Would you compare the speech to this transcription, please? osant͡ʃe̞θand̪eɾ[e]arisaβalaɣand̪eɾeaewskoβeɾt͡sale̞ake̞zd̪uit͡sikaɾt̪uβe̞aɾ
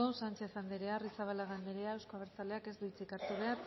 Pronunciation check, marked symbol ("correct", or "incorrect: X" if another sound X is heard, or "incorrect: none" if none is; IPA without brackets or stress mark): correct